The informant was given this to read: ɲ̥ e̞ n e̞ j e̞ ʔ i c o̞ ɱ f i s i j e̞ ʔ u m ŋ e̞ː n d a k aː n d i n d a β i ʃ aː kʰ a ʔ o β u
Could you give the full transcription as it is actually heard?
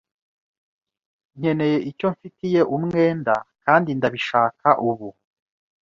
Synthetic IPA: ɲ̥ e̞ n e̞ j e̞ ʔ i c o̞ ɱ f i t i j e̞ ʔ u m ŋ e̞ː n d a k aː n d i n d a β i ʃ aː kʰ a ʔ u β u

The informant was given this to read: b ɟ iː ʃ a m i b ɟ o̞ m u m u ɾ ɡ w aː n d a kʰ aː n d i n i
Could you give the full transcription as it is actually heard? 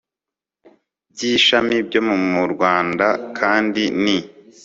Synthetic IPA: b ɟ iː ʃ a m i b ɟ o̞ m u m u ɾ ɡ w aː n d a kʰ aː n d i n i

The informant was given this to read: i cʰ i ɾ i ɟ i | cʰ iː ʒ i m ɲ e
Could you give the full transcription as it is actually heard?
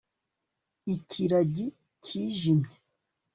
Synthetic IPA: i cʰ i ɾ a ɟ i | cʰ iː ʒ i m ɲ e

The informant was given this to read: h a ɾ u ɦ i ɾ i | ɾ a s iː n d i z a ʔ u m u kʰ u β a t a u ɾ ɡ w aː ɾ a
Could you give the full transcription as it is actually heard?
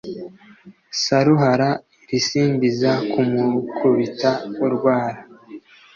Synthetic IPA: s a ɾ u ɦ a ɾ a | ɾ i s iː n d i z a k u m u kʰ u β i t a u ɾ ɡ w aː ɾ a

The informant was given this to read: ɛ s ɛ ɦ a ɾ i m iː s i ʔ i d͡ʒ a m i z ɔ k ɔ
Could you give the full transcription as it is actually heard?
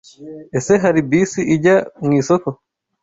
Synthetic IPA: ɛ s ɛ ɦ a ɾ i b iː s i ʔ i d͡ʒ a ŋ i s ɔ k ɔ

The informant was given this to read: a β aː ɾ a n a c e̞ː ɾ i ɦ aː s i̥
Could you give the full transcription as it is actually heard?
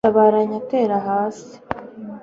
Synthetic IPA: a β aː ɾ a ɲ a t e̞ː ɾ a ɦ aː s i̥

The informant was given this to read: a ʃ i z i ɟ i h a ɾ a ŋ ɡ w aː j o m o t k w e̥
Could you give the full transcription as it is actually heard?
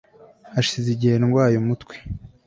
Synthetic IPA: a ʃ i z i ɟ i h e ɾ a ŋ ɡ w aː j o m u t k w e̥

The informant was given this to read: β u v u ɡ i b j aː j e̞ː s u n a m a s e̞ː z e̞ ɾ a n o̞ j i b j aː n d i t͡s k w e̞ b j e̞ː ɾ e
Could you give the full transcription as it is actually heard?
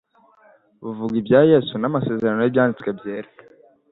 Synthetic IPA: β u v u ɡ i b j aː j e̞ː s u n a m a s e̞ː z e̞ ɾ a n o̞ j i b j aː n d i t͡s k w e̞ b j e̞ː ɾ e

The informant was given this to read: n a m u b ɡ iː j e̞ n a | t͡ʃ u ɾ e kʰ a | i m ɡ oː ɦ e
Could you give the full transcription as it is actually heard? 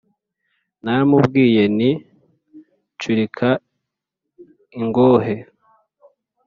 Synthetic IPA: n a m u b ɡ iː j e̞ n i | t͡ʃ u ɾ i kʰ a | i ŋ ɡ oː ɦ e

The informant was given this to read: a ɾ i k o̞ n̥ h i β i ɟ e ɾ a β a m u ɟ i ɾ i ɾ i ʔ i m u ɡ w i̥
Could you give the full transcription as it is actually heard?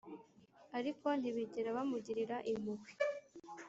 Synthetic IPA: a ɾ i k o̞ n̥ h i β i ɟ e ɾ a β a m u ɟ i ɾ i ɾ a ʔ i m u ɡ w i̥

